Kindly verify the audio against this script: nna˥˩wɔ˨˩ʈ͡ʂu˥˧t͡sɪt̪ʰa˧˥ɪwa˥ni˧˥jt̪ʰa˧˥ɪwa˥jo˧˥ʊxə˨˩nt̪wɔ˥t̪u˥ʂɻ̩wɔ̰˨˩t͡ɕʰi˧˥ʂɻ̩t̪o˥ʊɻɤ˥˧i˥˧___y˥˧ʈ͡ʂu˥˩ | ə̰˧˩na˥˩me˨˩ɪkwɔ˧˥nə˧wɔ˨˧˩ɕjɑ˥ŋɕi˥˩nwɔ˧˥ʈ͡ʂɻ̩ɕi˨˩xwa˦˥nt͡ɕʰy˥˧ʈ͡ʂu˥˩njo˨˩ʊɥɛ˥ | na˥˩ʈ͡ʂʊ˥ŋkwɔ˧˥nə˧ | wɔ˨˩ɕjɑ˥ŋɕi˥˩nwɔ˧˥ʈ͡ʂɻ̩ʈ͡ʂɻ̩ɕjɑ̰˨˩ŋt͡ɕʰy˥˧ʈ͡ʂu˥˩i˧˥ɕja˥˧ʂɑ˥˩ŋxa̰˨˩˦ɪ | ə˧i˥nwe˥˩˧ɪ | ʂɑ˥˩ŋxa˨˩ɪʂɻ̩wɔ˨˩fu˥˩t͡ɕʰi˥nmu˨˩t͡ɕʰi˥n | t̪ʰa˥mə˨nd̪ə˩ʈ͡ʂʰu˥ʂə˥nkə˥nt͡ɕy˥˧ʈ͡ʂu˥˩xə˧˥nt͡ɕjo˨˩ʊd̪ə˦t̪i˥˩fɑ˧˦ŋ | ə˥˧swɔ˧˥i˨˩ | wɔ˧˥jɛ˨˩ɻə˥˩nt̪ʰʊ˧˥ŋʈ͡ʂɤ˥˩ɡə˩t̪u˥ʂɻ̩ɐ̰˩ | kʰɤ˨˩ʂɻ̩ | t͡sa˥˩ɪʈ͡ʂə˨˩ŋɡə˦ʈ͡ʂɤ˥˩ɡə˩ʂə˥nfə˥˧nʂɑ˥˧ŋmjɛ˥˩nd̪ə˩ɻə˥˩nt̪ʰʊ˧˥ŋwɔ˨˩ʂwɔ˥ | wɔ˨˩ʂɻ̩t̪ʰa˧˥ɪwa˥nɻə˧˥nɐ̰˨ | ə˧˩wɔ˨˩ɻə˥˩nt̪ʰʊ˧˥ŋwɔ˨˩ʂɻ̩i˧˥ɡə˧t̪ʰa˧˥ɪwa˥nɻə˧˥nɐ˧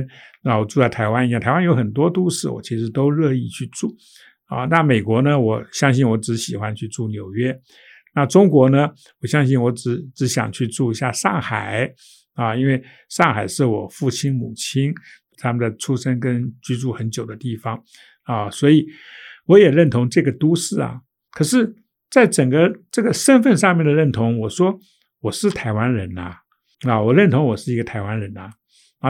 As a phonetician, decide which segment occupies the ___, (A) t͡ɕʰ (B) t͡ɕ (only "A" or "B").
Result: A